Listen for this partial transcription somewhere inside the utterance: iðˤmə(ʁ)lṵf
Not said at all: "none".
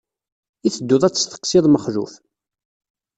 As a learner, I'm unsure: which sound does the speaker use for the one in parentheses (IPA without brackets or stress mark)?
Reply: χ